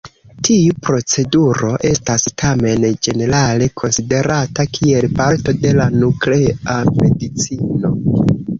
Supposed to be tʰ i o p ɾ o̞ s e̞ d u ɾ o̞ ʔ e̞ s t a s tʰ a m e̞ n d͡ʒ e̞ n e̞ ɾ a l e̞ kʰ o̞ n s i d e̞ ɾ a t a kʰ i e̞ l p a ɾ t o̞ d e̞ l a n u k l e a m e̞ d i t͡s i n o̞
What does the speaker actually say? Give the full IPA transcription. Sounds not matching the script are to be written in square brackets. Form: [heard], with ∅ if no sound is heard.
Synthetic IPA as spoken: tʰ i [u] p ɾ o̞ [t͡s] e̞ d u ɾ o̞ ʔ e̞ s t a s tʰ a m e̞ n d͡ʒ e̞ n e̞ ɾ a l e̞ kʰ o̞ n s i d e̞ ɾ a t a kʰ i e̞ l p a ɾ t o̞ d e̞ l a n u k l e a m e̞ d i t͡s i n o̞